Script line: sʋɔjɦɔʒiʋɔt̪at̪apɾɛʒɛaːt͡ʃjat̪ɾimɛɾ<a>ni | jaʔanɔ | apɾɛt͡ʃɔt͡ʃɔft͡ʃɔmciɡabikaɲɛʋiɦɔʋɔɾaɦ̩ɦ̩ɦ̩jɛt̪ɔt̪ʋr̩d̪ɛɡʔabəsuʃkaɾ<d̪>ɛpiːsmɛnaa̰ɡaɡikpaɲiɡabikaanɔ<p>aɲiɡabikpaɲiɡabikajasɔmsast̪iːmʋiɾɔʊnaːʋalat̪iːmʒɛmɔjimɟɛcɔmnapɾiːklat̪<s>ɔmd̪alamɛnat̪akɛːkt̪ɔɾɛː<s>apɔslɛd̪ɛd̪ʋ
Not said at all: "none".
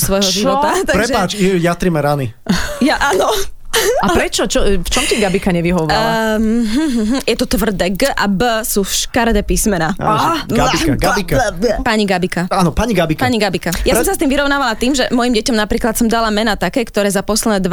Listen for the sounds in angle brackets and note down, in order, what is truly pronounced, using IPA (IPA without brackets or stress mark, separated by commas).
a, d̪, p, s, z